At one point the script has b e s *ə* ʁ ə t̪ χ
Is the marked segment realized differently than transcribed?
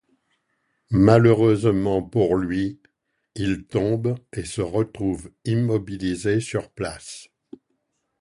no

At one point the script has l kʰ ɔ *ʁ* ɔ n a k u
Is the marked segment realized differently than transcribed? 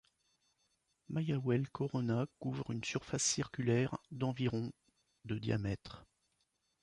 no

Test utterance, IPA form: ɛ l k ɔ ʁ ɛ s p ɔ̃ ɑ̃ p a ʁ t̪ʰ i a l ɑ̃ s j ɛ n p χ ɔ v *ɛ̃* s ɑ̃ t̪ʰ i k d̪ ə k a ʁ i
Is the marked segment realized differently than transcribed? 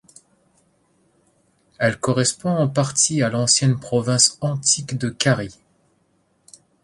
no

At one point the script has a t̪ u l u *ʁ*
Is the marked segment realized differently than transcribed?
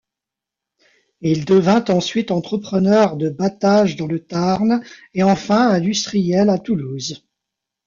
yes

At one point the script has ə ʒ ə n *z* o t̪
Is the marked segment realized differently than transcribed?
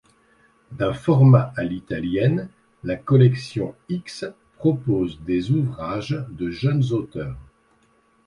no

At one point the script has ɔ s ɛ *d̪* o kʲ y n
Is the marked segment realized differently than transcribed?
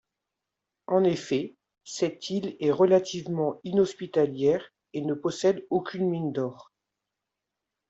no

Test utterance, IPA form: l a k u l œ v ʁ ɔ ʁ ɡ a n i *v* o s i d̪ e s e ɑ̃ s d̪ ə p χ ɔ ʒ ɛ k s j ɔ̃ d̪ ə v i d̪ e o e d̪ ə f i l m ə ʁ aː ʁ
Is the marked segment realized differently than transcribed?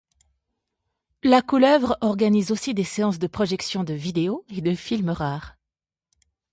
yes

